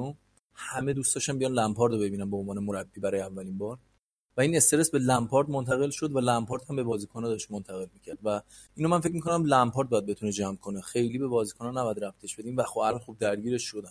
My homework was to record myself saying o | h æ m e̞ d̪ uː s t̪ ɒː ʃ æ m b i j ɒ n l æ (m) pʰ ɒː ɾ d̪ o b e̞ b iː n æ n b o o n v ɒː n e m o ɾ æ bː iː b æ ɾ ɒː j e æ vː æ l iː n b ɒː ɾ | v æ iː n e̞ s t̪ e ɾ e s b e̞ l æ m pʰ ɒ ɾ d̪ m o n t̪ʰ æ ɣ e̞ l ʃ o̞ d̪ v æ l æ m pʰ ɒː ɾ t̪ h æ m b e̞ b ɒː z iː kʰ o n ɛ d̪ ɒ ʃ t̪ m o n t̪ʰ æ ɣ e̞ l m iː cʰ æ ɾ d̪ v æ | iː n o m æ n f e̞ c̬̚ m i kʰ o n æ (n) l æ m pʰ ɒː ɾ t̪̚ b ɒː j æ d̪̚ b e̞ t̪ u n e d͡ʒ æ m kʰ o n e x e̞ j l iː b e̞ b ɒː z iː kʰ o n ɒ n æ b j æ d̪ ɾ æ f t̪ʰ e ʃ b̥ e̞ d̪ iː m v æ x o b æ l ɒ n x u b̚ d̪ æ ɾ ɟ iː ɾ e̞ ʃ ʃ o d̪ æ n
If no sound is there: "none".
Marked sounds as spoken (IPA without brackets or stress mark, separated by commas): m, m